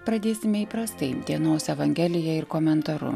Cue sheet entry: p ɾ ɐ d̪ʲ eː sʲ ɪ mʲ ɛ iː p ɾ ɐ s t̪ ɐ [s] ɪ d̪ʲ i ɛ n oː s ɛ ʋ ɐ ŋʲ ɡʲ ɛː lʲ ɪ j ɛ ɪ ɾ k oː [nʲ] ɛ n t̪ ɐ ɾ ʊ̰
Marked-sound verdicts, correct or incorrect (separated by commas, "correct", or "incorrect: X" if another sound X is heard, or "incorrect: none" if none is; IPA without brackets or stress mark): incorrect: none, incorrect: mʲ